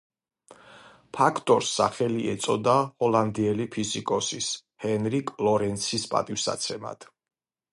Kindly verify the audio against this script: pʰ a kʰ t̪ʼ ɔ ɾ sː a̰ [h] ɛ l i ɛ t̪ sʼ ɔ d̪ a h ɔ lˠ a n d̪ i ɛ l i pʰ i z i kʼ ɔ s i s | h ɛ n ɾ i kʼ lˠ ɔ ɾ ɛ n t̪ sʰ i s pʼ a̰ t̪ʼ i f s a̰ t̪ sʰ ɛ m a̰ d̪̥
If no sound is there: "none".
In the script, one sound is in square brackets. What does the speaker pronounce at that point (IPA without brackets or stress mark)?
χ